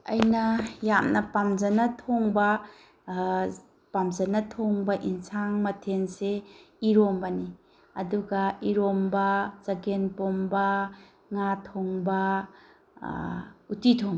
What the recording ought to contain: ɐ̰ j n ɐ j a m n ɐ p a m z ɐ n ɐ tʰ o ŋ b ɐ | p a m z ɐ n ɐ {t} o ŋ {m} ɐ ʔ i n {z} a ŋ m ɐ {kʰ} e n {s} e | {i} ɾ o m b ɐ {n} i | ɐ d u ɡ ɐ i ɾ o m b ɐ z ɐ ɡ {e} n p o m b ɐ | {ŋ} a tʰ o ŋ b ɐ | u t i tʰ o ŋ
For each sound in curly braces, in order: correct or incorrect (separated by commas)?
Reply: incorrect, incorrect, incorrect, incorrect, correct, correct, correct, correct, correct